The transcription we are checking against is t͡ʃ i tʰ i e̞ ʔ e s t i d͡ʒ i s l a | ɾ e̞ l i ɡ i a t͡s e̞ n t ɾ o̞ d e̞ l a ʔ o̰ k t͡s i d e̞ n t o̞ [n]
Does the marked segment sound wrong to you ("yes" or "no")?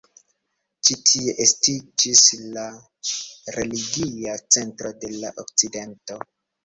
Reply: yes